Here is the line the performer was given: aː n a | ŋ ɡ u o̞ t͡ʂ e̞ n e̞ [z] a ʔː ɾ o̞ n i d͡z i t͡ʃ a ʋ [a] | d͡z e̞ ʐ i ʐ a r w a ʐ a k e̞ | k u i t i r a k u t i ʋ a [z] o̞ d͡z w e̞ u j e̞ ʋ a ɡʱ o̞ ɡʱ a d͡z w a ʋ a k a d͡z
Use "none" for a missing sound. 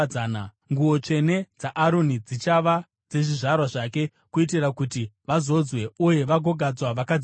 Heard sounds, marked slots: d͡z, a, z

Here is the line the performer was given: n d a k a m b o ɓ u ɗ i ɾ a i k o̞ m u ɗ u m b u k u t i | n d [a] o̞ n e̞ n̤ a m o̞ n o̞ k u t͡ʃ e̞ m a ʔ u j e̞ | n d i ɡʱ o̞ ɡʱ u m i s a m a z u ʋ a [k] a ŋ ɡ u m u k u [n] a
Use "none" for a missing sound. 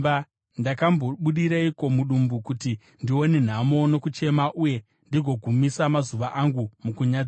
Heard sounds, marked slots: i, ʔ, ɲ

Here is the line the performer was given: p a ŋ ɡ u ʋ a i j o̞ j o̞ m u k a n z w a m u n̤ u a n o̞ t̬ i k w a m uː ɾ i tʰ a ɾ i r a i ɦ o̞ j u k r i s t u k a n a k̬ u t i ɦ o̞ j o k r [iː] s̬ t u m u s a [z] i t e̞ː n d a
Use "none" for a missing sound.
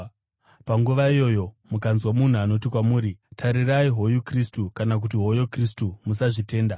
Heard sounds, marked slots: i, ʐ

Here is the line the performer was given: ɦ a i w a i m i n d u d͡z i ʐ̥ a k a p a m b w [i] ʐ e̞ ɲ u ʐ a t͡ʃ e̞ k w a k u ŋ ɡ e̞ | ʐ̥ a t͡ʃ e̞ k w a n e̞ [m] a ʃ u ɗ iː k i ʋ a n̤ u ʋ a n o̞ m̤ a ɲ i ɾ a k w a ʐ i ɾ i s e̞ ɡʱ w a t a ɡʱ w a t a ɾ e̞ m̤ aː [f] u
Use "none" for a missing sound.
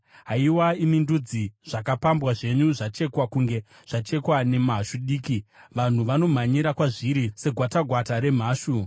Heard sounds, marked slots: a, m, ʃ

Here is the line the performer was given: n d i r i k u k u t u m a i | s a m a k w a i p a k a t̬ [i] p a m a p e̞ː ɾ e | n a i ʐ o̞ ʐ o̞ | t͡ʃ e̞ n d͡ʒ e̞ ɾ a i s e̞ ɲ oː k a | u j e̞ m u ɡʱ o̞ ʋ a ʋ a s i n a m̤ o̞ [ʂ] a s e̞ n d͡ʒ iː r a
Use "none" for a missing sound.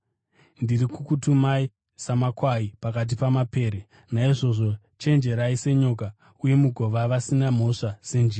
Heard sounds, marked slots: i, ʂ

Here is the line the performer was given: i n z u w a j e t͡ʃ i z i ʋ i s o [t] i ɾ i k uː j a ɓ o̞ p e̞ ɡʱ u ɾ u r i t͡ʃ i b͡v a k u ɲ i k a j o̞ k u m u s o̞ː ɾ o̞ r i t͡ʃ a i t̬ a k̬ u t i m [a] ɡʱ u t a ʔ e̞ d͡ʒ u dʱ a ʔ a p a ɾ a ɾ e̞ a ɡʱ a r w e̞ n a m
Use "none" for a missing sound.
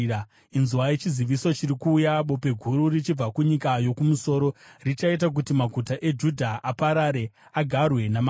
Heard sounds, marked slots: t͡ʃ, a

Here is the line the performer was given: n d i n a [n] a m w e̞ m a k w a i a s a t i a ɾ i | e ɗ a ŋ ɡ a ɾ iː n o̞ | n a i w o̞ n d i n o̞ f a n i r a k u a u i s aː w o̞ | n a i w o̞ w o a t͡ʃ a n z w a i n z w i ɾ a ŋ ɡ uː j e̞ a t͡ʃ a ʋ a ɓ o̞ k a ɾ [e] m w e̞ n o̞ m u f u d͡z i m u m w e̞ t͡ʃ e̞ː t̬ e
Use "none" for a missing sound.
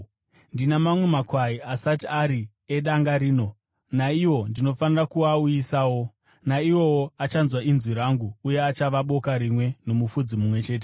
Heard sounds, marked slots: m, i

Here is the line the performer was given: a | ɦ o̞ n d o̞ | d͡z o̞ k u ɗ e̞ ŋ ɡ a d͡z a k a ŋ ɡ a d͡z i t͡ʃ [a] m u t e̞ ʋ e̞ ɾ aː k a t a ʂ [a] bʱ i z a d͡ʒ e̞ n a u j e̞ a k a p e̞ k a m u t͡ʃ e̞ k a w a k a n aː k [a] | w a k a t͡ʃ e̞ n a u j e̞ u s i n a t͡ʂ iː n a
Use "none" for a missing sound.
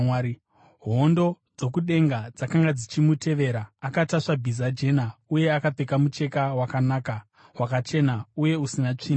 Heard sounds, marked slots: i, a, a

